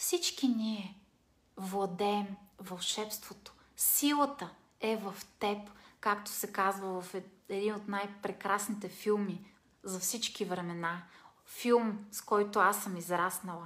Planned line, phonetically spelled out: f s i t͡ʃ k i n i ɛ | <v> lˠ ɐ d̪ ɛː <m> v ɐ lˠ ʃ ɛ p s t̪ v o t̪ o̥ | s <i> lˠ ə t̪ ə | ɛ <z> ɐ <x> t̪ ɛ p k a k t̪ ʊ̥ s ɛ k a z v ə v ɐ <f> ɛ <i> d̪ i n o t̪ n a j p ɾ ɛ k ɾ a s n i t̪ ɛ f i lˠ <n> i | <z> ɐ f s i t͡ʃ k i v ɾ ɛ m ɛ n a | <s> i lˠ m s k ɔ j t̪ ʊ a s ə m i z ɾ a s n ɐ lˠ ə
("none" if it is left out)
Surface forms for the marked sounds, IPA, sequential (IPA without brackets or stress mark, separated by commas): v, m, i, v, f, f, ɛ, m, z, f